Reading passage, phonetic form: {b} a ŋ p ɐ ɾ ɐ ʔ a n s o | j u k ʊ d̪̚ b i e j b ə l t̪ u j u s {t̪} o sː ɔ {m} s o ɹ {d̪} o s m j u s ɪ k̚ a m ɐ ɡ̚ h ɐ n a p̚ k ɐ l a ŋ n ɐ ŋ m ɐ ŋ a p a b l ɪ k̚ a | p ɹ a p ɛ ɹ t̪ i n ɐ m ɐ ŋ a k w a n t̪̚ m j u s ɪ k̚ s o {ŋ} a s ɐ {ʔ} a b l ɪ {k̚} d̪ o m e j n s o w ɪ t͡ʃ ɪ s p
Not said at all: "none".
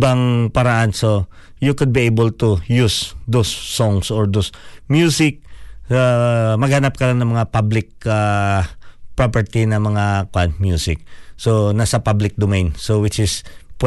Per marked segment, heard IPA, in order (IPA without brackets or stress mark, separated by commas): b, d̪, ŋ, d̪, n, p, k̚